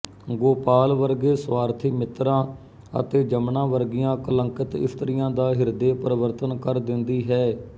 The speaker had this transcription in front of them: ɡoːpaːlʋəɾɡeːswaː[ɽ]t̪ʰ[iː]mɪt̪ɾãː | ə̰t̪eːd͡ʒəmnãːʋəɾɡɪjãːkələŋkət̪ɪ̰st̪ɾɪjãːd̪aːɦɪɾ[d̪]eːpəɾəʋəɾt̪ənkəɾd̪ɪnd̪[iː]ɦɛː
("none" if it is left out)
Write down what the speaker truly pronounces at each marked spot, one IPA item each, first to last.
ɾ, iː, d̪, iː

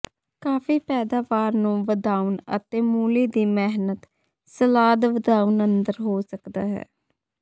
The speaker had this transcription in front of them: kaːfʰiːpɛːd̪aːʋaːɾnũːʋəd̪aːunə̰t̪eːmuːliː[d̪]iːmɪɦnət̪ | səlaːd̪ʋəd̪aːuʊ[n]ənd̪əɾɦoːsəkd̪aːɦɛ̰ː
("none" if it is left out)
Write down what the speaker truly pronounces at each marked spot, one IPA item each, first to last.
d̪, n

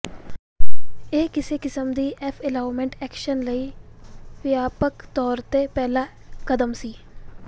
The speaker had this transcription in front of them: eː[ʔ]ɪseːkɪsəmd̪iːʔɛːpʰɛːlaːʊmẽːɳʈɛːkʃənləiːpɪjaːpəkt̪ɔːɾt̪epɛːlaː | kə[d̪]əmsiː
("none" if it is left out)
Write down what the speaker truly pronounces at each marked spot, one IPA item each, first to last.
k, d̪

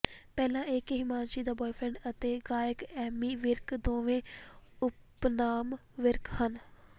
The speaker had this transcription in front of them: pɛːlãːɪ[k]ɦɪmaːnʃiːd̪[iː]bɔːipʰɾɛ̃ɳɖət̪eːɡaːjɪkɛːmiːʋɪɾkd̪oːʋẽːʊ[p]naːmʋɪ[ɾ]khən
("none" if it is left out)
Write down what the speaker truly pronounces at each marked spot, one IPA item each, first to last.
k, aː, p, ɾ

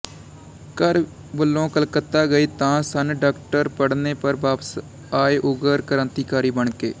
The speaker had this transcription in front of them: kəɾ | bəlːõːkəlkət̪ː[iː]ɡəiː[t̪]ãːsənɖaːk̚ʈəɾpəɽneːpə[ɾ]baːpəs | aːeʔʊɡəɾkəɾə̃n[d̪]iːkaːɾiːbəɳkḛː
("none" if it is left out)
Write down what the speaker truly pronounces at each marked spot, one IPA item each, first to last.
aː, t̪, ɾ, t̪

